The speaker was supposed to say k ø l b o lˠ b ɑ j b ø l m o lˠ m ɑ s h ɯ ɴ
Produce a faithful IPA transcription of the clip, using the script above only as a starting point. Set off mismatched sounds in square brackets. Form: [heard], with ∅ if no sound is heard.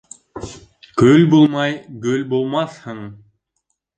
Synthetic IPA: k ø l b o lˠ [m] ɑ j [ɡ] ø l [b] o lˠ m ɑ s h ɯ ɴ